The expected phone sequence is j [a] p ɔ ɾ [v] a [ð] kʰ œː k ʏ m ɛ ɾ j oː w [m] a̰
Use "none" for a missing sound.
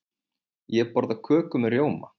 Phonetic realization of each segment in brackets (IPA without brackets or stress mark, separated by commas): ɛ, ð, none, m